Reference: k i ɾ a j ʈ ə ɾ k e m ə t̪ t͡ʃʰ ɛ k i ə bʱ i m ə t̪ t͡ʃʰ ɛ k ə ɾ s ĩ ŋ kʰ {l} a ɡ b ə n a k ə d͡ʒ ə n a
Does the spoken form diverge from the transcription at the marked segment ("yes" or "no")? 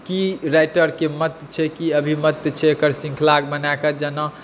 no